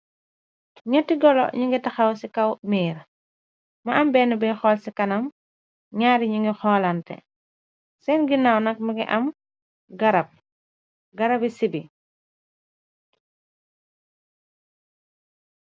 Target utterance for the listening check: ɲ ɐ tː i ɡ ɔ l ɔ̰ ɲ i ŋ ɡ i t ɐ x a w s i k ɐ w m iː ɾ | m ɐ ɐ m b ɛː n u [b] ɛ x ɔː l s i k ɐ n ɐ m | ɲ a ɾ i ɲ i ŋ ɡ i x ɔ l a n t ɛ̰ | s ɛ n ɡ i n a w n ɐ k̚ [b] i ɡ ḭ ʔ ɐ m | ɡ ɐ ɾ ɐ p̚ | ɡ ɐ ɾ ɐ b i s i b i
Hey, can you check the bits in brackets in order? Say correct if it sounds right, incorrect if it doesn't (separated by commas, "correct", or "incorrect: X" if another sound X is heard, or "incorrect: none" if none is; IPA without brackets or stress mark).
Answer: correct, incorrect: m